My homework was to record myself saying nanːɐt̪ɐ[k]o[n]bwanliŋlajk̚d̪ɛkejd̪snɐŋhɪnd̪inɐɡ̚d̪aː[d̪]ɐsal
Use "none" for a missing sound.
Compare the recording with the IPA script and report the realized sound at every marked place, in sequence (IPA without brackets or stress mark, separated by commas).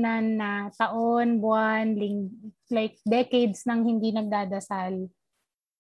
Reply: ʔ, n, d̪